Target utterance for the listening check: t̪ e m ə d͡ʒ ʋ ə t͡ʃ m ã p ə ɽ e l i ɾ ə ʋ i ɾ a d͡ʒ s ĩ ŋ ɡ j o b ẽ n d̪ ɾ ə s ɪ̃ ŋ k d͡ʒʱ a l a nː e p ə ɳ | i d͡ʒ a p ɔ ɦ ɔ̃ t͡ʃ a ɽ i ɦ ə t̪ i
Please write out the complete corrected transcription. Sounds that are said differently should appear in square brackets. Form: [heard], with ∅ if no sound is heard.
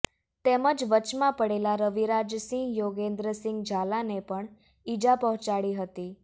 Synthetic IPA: t̪ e m ə d͡ʒ ʋ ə t͡ʃ m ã p ə ɽ e l [a] ɾ ə ʋ i ɾ a d͡ʒ s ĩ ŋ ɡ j o [ɡ] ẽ n d̪ ɾ ə s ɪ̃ ŋ [ɡ] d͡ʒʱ a l a [n] e p ə ɳ | i d͡ʒ a p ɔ ɦ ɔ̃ t͡ʃ a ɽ i ɦ ə t̪ i